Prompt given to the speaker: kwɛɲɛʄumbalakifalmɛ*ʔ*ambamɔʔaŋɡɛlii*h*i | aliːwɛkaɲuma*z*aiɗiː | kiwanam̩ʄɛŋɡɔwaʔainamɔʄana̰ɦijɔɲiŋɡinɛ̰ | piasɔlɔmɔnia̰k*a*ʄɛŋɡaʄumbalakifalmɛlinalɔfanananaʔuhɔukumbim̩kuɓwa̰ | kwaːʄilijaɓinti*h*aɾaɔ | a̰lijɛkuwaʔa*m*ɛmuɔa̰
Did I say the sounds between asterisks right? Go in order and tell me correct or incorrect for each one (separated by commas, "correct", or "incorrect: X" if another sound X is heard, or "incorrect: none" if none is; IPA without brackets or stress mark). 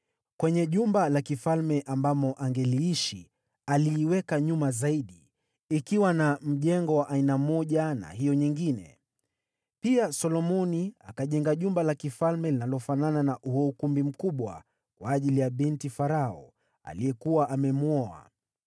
correct, incorrect: ʃ, correct, correct, incorrect: f, correct